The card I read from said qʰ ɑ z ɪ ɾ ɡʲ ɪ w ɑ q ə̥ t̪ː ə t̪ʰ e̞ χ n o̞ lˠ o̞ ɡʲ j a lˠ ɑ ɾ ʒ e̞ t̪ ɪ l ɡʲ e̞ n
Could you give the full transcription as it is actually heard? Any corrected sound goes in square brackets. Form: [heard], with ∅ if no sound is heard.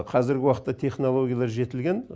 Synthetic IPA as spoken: qʰ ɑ z ɪ ɾ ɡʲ ɪ w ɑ q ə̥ t̪ː [ɑ] t̪ʰ e̞ χ n o̞ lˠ o̞ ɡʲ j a lˠ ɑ ɾ ʒ e̞ t̪ ɪ l ɡʲ e̞ n